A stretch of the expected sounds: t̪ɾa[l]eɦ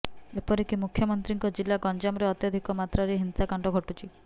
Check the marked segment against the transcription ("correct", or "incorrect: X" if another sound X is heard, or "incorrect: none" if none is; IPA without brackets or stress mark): incorrect: ɾ